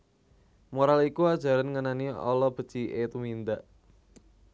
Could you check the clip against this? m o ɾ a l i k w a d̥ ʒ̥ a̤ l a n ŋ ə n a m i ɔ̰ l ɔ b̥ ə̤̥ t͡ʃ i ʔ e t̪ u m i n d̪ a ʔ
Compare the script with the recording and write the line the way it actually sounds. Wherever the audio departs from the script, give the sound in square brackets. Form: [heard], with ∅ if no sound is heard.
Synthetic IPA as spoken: m o ɾ a l i k [u] a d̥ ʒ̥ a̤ [ɾ] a n ŋ ə n a [n] i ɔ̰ l ɔ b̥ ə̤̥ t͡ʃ i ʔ e t̪ u m i n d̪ a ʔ